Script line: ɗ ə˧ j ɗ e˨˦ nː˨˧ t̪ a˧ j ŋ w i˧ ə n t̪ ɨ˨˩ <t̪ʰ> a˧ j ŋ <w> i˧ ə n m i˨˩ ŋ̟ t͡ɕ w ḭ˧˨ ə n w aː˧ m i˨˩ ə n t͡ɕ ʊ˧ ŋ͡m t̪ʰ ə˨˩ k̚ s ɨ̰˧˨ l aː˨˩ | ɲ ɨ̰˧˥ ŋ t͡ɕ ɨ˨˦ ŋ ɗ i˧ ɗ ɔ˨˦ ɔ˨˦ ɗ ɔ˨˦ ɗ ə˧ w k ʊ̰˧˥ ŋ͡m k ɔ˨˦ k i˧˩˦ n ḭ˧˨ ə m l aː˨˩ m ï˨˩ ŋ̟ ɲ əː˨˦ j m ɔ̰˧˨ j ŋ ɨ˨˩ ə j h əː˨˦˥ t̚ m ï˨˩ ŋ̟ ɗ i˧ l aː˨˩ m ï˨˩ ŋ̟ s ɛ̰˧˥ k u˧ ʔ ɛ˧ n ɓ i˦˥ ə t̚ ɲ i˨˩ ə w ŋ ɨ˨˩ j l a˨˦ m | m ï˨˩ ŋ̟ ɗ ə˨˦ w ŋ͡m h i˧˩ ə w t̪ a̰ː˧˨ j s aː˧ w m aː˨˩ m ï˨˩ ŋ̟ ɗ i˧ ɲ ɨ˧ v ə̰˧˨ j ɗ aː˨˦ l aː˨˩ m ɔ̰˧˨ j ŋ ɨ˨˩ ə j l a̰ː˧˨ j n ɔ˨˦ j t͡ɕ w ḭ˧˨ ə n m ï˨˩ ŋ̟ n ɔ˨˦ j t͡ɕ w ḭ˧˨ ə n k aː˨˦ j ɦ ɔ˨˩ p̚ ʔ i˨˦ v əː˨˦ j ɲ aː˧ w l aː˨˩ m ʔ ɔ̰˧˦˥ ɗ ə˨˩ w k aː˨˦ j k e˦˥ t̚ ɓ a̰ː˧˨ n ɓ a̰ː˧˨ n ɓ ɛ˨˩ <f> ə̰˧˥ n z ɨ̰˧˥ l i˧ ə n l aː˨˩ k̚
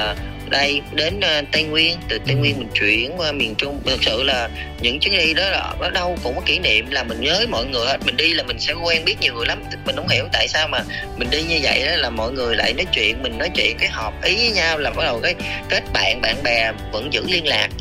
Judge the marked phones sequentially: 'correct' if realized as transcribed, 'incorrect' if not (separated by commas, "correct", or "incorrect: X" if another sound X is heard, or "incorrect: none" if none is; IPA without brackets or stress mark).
incorrect: t̪, correct, incorrect: v